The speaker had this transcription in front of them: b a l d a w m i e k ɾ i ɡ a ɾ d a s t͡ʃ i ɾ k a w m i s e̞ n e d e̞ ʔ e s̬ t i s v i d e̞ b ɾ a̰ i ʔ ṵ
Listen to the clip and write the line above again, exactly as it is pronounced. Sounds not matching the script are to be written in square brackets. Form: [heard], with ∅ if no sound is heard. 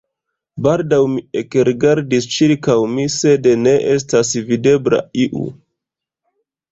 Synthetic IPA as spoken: b a l d a w m i e k ɾ i ɡ a ɾ d [i] s t͡ʃ i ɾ k a w m i s e̞ [d] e [n] e̞ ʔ e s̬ t [a] s v i d e̞ b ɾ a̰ i ʔ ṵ